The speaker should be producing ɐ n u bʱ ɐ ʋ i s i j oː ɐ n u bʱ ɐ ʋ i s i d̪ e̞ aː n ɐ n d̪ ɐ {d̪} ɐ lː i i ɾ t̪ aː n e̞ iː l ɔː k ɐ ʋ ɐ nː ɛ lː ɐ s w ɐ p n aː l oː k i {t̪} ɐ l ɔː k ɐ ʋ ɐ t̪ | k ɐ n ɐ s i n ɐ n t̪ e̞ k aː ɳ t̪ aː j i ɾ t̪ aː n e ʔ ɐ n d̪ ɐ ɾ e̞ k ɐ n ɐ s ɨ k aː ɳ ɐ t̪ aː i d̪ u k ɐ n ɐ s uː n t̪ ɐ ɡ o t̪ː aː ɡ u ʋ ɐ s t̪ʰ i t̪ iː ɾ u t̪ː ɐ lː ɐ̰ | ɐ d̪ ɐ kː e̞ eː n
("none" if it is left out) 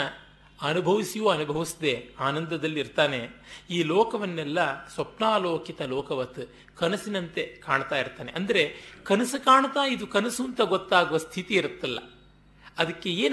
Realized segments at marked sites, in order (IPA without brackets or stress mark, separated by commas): d̪, t̪